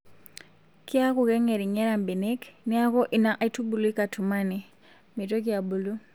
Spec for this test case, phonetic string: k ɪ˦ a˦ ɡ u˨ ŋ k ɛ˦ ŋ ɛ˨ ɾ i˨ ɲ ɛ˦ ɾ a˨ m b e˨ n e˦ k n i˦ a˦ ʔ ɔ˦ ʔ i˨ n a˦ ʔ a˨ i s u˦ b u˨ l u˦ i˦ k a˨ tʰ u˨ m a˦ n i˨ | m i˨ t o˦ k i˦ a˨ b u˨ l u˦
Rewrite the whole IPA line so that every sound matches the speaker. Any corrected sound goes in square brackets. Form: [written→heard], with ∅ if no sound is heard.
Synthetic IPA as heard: k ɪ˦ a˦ [ɡ→k] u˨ [ŋ→∅] k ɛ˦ ŋ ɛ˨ ɾ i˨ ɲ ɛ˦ ɾ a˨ m b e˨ n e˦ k n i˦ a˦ [ʔ→k] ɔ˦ ʔ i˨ n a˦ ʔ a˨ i [s→t] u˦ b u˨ l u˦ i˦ k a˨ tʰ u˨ m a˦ n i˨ | m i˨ t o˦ k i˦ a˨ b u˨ l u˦